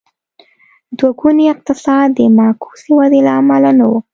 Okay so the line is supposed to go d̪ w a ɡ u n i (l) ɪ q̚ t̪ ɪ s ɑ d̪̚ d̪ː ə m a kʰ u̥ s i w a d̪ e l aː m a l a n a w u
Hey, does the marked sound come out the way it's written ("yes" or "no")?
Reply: no